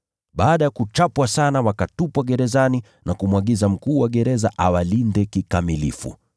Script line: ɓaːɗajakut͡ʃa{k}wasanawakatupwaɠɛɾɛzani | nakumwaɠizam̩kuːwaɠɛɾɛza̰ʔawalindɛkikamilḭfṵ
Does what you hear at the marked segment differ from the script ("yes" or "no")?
yes